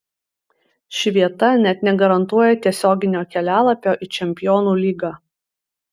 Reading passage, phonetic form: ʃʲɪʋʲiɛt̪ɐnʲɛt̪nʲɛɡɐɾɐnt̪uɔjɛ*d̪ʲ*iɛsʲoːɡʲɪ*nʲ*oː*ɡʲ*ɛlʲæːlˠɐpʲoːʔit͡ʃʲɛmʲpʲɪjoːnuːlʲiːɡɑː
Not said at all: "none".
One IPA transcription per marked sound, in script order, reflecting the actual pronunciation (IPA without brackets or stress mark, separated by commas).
t̪ʲ, nʲ, kʲ